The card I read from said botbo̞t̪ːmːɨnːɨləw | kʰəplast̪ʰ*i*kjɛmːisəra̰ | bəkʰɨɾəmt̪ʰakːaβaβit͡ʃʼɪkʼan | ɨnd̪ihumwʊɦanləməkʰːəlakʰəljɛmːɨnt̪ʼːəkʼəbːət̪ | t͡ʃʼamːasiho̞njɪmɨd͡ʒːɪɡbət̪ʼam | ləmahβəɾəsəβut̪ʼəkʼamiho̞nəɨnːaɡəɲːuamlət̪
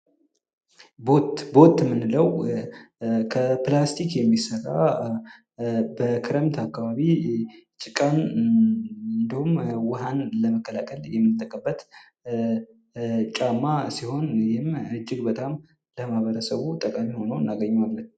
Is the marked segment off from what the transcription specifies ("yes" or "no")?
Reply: no